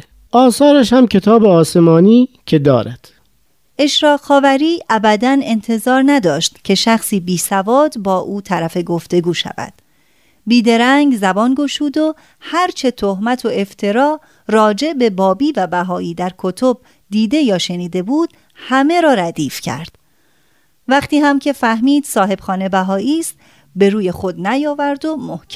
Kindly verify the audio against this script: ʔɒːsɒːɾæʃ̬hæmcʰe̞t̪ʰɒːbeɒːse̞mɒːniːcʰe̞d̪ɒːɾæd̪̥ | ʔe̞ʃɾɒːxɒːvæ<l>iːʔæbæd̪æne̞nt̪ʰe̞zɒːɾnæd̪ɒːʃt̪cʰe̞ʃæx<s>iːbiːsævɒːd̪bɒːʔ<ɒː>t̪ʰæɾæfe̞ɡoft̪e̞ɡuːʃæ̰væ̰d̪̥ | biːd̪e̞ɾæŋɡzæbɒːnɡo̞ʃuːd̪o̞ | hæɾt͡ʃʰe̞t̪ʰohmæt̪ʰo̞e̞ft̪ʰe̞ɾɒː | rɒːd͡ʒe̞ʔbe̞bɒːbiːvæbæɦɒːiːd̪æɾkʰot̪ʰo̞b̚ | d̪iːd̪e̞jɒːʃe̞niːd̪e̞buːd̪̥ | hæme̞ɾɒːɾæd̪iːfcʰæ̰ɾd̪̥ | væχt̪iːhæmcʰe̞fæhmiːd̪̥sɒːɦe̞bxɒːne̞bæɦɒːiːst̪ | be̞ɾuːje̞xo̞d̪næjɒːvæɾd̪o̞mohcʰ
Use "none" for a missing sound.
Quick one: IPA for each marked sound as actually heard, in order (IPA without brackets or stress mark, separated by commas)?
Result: ɾ, s, uː